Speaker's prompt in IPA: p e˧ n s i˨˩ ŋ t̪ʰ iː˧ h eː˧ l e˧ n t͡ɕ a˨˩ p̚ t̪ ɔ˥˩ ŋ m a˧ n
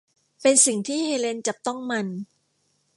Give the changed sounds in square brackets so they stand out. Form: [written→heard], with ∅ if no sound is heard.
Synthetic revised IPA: p e˧ n s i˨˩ ŋ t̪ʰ [iː˧→iː˥˩] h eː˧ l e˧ n t͡ɕ a˨˩ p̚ t̪ ɔ˥˩ ŋ m a˧ n